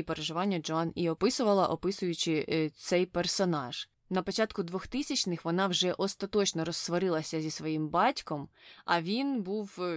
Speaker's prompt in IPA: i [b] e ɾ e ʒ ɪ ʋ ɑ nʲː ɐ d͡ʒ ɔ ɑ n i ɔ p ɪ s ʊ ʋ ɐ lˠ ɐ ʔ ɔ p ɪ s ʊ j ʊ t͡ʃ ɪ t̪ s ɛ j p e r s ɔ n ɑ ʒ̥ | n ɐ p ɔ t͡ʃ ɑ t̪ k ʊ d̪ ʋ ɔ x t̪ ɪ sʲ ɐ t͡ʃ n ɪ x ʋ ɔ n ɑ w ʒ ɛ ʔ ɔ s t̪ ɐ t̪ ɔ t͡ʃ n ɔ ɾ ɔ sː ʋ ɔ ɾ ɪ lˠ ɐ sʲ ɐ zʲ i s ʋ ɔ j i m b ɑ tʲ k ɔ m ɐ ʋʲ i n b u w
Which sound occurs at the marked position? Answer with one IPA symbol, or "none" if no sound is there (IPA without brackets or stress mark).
p